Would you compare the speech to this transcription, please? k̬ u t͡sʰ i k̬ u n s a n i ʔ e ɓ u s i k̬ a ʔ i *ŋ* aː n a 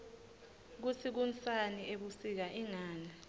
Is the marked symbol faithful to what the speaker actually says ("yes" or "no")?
yes